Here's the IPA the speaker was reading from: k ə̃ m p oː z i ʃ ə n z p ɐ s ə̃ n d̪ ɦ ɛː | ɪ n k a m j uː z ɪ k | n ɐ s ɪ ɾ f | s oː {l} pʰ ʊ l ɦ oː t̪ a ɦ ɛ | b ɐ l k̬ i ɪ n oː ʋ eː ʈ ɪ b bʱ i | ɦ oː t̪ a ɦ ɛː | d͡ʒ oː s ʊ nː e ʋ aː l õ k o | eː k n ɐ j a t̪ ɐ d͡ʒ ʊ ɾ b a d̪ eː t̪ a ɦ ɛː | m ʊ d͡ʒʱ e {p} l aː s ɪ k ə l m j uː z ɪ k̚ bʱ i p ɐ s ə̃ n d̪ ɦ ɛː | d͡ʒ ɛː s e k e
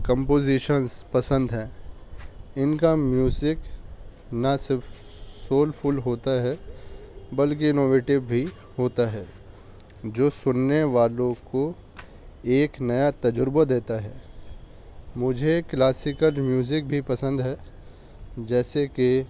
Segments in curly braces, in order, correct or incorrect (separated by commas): correct, incorrect